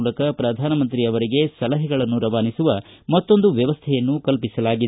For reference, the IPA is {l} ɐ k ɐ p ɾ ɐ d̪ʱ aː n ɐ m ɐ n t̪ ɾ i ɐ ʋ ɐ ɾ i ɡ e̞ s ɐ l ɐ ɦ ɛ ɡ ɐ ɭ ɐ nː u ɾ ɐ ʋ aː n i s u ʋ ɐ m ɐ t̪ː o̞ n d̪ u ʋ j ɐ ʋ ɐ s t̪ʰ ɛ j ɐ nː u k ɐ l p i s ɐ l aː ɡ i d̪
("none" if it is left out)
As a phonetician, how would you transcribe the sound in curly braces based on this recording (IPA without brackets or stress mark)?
l